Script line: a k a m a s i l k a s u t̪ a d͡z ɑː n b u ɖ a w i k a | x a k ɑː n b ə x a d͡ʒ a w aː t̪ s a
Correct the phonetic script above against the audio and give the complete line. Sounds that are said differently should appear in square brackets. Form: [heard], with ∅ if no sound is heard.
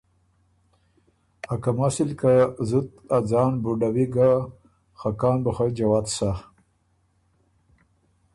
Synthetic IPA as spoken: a k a m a s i l k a [z] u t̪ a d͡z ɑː n b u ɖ a w i [ɡ] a | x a k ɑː n b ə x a d͡ʒ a w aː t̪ s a